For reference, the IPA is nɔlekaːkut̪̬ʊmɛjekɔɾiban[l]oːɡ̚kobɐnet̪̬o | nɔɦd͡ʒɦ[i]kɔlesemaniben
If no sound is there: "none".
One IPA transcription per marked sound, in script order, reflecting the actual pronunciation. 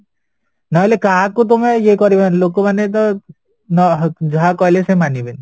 l, a

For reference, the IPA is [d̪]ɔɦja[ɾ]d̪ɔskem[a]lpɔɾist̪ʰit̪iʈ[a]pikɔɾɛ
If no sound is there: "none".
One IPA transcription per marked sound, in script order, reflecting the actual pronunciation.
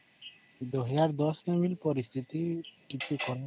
d̪, ɾ, i, i

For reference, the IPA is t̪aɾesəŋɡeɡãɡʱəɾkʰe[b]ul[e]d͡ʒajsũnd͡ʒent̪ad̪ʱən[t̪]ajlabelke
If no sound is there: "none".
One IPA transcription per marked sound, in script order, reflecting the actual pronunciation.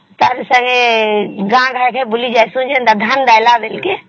b, i, d̪

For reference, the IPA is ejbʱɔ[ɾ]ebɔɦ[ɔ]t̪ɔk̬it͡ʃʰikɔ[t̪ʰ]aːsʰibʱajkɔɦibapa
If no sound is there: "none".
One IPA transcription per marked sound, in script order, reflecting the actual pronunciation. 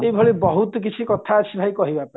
ɭ, u, t̪ʰ

